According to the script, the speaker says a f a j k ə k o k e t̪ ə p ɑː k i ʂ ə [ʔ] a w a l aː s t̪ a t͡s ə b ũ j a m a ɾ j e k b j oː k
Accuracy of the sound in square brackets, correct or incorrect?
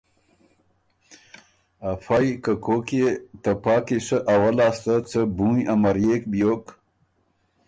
correct